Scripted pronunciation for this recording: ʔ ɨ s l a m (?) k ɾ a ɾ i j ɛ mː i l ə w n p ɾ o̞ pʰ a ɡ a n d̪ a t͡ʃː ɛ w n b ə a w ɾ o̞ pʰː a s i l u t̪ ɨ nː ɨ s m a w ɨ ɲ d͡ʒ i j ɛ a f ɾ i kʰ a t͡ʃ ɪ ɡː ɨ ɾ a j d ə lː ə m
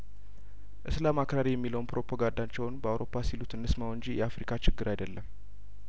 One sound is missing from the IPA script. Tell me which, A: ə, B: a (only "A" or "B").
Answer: B